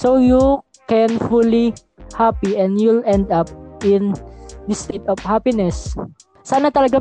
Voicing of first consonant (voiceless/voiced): voiceless